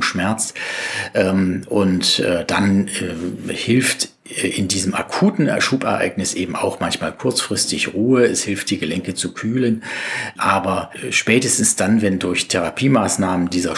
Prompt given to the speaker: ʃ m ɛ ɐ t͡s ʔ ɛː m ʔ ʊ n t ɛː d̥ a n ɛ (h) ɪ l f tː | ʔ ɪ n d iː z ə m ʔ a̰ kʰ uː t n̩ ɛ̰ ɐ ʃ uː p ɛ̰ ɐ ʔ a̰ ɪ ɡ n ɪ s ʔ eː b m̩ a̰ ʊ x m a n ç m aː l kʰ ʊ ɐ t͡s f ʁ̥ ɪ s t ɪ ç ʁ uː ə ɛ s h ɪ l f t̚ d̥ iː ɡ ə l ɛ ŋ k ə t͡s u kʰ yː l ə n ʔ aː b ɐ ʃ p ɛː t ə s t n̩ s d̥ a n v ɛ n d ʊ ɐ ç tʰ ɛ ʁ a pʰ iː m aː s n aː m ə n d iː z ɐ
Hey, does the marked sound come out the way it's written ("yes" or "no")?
yes